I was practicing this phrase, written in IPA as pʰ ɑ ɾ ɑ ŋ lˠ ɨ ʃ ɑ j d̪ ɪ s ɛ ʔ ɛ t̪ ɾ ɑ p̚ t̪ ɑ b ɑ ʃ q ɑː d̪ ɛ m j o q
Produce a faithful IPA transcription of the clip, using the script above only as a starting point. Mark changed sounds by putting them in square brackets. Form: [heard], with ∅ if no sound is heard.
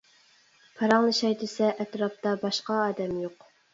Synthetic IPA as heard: pʰ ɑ ɾ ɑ ŋ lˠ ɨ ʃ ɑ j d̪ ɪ s ɛ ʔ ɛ t̪ ɾ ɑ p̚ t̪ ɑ b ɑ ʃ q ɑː d̪ ɛ m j o q